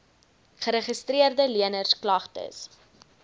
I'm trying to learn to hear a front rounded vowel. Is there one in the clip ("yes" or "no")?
no